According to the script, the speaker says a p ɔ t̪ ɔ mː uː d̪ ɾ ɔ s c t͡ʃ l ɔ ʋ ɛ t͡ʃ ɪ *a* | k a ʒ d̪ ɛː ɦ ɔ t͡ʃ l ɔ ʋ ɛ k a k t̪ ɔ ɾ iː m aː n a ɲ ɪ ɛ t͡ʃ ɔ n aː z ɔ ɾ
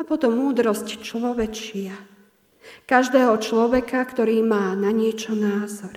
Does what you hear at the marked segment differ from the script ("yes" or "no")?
no